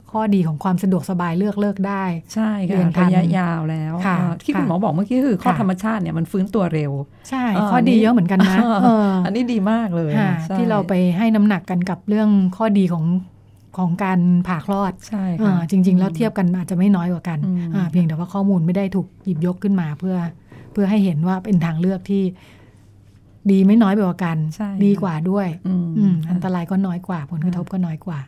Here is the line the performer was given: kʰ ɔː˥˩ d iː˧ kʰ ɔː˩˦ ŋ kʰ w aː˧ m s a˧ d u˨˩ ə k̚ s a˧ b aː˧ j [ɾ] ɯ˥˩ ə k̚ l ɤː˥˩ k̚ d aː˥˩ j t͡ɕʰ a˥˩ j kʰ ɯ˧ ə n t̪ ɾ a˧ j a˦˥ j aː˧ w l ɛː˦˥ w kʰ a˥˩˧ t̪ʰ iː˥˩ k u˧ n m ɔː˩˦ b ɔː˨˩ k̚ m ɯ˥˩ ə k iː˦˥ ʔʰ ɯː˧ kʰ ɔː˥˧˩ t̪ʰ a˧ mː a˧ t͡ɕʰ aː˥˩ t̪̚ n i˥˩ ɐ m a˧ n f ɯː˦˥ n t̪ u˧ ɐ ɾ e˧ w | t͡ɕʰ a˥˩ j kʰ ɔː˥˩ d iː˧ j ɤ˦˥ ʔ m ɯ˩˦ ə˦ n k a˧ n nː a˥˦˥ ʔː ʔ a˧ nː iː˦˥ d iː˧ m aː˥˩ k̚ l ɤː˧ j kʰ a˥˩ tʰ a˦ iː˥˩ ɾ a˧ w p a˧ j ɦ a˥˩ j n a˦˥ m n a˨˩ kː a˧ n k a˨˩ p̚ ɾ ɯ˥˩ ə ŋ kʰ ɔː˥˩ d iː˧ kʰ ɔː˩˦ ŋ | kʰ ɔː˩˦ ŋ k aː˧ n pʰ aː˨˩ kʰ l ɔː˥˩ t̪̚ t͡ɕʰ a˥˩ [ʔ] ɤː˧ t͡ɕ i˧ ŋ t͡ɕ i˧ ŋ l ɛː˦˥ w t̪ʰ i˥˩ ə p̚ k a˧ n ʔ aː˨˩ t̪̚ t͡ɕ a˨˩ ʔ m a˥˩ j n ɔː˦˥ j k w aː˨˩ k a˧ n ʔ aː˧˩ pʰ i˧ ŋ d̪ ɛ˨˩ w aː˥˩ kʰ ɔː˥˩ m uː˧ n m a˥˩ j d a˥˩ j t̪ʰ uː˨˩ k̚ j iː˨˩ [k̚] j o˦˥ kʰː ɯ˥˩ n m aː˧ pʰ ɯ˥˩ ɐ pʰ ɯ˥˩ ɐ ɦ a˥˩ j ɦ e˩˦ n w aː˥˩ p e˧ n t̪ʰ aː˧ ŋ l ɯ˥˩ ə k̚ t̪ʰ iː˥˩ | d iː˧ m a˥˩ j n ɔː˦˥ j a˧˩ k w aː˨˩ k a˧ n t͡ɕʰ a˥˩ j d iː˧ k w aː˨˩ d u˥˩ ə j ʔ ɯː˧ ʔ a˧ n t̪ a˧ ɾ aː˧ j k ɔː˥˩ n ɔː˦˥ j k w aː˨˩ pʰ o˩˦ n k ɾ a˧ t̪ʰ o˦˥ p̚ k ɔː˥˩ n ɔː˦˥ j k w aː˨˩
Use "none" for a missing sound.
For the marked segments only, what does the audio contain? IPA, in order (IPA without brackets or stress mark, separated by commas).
l, ʔ, p̚